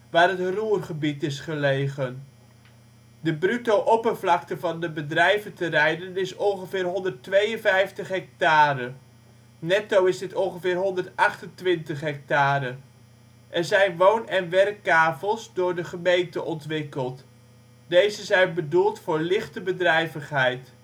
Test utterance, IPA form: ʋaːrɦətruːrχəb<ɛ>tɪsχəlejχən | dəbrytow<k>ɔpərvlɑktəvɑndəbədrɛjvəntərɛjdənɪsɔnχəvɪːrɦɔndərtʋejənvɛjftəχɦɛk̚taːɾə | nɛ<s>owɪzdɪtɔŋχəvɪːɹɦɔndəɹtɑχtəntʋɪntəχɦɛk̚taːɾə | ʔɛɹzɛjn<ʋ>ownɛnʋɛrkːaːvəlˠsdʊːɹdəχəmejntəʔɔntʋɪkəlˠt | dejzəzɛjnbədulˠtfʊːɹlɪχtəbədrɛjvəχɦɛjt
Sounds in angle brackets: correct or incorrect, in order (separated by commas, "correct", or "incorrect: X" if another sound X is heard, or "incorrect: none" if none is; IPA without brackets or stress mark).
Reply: incorrect: i, incorrect: ʔ, incorrect: t, correct